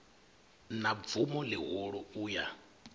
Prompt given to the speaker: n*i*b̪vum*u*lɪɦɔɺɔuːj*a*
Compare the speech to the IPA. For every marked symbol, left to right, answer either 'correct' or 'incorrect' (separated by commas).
incorrect, incorrect, correct